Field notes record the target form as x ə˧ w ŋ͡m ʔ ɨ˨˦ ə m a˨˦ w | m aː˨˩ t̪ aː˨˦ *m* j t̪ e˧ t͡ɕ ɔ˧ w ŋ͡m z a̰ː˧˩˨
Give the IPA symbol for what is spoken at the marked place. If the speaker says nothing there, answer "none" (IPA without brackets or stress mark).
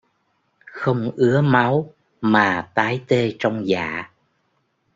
none